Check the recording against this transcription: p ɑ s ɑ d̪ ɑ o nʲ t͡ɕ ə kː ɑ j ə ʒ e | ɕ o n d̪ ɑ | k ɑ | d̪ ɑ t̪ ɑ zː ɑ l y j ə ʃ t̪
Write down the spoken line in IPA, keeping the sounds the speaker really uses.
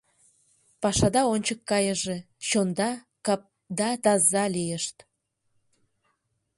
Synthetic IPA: p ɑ ʃ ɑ d̪ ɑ o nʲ t͡ɕ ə kː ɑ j ə ʒ e | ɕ o n d̪ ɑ | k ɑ | d̪ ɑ t̪ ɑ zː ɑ l i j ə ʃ t̪